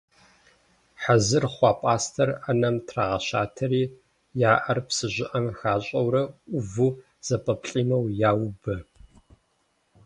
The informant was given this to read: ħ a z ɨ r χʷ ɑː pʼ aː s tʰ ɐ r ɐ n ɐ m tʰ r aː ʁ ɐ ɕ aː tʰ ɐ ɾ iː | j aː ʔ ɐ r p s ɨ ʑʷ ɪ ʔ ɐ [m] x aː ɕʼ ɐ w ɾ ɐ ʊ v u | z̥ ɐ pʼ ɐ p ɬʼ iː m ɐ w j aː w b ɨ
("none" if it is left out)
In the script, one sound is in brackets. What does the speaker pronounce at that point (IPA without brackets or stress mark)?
m